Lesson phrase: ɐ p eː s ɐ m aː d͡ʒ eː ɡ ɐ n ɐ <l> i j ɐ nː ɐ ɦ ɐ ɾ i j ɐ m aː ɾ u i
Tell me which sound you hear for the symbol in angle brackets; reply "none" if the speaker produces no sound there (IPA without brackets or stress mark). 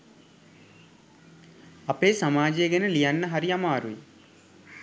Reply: l